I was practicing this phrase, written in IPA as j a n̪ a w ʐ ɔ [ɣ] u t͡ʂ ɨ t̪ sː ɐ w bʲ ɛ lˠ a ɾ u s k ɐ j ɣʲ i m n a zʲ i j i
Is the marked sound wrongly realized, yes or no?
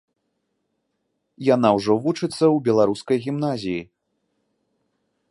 yes